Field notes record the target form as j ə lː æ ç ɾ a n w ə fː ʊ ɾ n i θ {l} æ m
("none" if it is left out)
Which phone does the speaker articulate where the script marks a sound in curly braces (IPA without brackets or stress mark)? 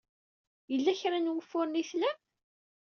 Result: l